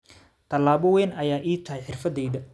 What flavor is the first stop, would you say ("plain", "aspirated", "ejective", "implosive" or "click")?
aspirated